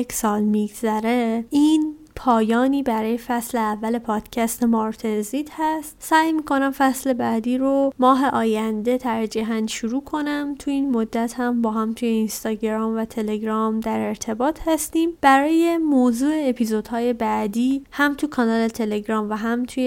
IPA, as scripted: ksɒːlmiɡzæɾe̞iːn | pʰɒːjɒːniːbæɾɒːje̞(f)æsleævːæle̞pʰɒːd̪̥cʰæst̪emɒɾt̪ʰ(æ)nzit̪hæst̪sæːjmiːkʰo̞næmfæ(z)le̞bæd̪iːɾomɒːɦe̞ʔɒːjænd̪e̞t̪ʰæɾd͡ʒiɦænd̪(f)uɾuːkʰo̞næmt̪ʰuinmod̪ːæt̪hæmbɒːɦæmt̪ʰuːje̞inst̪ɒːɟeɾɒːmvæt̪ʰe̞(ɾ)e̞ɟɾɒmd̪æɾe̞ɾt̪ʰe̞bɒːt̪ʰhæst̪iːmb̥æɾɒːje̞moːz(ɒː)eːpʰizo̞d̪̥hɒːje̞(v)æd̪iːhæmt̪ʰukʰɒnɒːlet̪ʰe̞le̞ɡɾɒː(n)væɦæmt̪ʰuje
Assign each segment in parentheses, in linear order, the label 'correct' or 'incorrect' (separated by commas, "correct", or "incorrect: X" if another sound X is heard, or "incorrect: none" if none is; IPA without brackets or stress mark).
correct, incorrect: e, incorrect: s, incorrect: ʃ, incorrect: l, incorrect: uː, incorrect: b, incorrect: m